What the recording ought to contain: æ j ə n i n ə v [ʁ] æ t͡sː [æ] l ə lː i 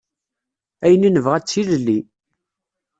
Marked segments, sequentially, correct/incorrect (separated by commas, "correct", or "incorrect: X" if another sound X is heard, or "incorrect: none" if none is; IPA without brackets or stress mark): correct, incorrect: i